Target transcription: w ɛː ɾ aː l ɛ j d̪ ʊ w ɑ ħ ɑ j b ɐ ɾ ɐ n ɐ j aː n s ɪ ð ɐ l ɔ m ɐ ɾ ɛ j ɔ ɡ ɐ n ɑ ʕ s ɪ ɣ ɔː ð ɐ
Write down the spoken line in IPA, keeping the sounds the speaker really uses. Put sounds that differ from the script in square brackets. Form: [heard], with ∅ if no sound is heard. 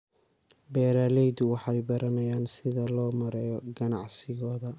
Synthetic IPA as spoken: [b] ɛː ɾ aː l ɛ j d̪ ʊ w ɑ ħ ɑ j b ɐ ɾ ɐ n ɐ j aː n s ɪ ð ɐ l [ɔː] m ɐ ɾ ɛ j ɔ ɡ ɐ n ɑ ʕ s ɪ ɣ ɔː ð ɐ